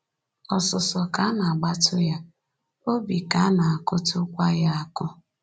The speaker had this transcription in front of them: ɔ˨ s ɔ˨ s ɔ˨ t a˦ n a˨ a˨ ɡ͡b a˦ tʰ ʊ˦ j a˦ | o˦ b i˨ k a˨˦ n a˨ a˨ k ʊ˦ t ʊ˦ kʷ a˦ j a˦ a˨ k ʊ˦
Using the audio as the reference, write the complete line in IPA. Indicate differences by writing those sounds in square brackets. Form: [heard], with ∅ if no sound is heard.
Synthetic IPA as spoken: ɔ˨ s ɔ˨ s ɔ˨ [k] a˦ n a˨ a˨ ɡ͡b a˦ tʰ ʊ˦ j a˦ | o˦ b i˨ k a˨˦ n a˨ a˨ k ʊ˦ t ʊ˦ kʷ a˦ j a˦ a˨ k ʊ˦

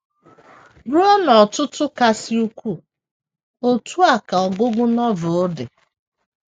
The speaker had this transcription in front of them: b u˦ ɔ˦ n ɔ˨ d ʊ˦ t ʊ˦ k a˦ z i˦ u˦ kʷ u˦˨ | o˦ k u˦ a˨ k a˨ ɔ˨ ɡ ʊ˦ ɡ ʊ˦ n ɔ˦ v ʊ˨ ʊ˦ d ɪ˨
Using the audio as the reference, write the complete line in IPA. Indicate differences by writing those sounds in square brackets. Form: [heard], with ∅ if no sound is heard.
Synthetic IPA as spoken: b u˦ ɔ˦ n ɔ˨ [t] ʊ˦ t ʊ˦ k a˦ [s] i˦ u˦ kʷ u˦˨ | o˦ [t] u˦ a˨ k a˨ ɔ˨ ɡ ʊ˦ ɡ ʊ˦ n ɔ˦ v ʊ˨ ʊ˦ d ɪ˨

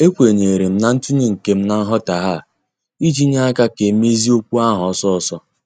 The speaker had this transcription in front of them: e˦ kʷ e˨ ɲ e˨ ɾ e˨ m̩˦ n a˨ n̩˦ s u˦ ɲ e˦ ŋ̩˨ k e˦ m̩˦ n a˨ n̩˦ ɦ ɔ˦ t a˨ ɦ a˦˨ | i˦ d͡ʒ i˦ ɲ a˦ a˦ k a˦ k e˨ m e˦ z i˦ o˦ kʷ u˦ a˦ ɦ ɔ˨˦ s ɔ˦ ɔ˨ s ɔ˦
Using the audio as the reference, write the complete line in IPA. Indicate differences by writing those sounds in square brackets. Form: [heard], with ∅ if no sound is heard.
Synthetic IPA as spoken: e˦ kʷ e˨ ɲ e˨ ɾ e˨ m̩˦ n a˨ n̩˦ [t] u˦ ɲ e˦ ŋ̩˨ k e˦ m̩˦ n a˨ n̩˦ ɦ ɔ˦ t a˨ ɦ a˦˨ | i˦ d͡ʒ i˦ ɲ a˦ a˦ k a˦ k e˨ m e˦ z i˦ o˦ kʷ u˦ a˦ ɦ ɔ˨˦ s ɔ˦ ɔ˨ s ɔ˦

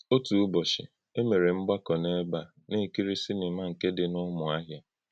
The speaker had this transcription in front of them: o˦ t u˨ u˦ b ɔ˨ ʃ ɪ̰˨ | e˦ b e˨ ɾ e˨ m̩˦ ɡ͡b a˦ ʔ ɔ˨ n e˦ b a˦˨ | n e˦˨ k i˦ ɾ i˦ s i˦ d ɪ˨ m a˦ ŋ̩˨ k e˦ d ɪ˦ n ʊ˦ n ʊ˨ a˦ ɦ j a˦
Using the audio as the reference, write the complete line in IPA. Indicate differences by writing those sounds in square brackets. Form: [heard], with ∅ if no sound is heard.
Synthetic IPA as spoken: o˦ t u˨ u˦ b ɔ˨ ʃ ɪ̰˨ | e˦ [m] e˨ ɾ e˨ m̩˦ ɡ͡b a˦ [k] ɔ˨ n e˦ b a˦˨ | n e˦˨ k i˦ ɾ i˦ s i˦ [n] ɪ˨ m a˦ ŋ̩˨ k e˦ d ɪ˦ n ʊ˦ [m] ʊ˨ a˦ ɦ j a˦

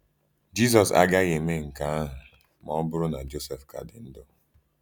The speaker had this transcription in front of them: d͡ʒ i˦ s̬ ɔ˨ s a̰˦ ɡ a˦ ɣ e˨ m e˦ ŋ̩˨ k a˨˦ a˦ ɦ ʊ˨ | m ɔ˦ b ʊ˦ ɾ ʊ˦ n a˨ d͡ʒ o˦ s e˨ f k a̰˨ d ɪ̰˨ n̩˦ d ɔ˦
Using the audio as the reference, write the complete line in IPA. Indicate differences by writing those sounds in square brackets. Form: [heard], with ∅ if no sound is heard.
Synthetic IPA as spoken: d͡ʒ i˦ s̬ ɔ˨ s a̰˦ ɡ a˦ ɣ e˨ m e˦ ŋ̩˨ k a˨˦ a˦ ɦ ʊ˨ | m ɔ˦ b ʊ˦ ɾ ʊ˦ n a˨ d͡ʒ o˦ s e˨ f k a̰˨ d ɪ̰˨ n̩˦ d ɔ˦

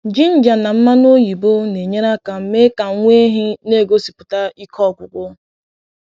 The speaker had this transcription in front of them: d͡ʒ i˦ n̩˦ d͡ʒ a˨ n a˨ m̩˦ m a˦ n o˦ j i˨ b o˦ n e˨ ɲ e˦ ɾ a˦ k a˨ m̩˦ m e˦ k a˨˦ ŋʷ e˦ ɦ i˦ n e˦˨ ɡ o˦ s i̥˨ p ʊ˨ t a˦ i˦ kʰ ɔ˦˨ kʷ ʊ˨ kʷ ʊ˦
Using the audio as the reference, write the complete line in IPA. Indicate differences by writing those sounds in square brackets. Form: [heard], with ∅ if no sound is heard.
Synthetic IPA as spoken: d͡ʒ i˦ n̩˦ d͡ʒ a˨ n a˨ m̩˦ m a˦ n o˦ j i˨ b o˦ n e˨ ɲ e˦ ɾ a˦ k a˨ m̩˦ m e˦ k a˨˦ ŋʷ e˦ ɦ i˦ n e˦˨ ɡ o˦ s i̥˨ p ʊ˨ t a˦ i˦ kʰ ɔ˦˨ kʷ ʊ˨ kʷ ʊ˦

